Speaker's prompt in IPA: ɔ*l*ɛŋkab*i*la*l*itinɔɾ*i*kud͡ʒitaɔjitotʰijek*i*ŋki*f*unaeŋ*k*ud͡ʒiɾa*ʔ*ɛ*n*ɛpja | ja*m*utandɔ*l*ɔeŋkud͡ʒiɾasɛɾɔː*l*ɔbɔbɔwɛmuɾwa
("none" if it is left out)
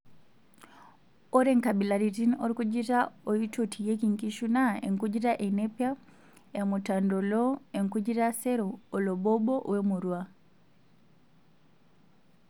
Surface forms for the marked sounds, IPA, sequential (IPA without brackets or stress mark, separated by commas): ɾ, i, ɾ, i, i, ʃ, k, ʔ, n, m, l, l